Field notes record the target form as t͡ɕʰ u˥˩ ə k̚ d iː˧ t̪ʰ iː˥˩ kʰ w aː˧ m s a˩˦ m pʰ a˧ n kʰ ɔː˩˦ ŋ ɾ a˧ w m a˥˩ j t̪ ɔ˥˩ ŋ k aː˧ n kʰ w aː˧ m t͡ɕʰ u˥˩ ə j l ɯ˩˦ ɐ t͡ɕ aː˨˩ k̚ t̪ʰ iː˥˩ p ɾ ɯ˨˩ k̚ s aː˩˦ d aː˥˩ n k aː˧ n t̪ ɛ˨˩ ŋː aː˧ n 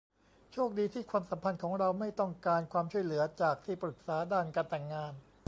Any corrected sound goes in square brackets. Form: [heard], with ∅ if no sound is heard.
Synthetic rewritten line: t͡ɕʰ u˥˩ ə k̚ d iː˧ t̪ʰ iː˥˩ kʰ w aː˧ m s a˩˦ m pʰ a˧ n kʰ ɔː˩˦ ŋ ɾ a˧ w m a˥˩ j t̪ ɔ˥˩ ŋ k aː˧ n kʰ w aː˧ m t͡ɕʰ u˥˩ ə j l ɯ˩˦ ɐ t͡ɕ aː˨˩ k̚ t̪ʰ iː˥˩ p ɾ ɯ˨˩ k̚ s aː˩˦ d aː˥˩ n k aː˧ n t̪ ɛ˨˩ ŋː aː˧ n

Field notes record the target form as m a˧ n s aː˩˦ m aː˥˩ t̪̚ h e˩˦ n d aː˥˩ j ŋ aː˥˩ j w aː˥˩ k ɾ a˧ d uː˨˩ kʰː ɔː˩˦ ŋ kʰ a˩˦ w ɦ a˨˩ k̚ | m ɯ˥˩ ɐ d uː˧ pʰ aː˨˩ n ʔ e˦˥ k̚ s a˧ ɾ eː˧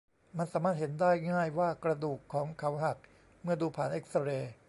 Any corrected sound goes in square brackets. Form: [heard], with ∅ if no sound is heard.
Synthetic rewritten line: m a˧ n s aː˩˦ m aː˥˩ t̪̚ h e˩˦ n d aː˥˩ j ŋ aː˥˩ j w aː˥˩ k ɾ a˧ d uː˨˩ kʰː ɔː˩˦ ŋ kʰ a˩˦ w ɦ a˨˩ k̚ | m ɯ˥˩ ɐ d uː˧ pʰ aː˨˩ n ʔ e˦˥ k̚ s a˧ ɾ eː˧

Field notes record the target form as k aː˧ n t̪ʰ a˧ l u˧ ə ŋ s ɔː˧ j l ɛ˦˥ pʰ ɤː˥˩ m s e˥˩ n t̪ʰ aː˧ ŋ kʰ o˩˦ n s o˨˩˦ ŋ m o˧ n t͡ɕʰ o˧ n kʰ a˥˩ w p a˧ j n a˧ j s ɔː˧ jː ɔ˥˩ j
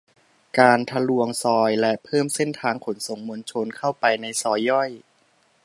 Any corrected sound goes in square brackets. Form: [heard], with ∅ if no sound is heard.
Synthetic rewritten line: k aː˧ n t̪ʰ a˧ l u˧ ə ŋ s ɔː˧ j l ɛ˦˥ pʰ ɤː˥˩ m s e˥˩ n t̪ʰ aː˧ ŋ kʰ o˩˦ n s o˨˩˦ ŋ m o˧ n t͡ɕʰ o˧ n kʰ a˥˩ w p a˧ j n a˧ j s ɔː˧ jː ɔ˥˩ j

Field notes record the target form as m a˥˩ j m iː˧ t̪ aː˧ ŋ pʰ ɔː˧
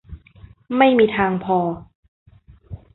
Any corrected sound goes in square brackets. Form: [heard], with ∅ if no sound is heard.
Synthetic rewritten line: m a˥˩ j m iː˧ [t̪ʰ] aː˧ ŋ pʰ ɔː˧

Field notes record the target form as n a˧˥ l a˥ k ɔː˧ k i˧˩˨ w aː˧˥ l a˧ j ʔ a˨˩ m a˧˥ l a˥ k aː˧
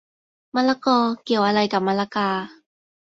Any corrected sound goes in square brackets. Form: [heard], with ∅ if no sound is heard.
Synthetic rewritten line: [m] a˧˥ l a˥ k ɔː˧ k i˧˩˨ w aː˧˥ l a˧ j [k] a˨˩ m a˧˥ l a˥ k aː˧

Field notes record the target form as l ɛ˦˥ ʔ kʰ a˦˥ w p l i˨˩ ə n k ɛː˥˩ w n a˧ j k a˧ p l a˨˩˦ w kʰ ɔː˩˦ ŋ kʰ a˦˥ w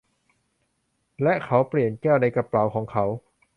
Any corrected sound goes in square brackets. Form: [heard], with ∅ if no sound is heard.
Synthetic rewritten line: l ɛ˦˥ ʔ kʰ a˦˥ w p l i˨˩ ə n k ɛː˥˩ w n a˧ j k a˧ p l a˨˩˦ w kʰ ɔː˩˦ ŋ kʰ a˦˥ w

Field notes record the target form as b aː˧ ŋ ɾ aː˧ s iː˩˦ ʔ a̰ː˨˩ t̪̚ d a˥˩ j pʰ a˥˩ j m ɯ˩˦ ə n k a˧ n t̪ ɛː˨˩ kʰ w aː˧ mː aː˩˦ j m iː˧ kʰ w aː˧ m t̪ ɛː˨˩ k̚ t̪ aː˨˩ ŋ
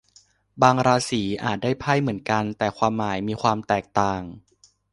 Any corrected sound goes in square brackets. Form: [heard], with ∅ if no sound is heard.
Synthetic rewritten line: b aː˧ ŋ ɾ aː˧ s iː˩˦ ʔ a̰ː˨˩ t̪̚ d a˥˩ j pʰ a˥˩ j m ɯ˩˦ ə n k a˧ n t̪ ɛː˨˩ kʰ w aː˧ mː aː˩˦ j m iː˧ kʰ w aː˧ m t̪ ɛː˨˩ k̚ t̪ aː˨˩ ŋ

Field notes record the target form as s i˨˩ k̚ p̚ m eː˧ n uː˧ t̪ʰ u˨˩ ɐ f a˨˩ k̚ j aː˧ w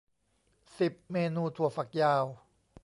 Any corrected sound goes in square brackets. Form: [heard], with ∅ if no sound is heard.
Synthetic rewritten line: s i˨˩ [∅] p̚ m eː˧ n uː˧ t̪ʰ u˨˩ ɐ f a˨˩ k̚ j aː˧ w

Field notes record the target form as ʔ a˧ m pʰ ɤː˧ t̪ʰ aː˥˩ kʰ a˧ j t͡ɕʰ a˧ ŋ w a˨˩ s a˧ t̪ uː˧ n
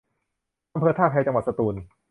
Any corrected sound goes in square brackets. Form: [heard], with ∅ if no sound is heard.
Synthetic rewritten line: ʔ a˧ m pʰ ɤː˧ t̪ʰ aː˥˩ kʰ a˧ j [t͡ɕ] a˧ ŋ w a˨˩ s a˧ t̪ uː˧ n

